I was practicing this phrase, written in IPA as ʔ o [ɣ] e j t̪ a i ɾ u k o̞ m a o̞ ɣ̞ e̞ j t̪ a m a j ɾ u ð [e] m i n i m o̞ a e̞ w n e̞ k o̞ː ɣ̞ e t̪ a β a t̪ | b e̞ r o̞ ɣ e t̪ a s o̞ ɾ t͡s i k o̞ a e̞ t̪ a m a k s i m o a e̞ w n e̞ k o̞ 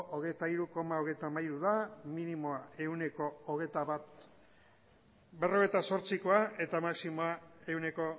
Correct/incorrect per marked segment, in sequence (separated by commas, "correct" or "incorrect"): correct, incorrect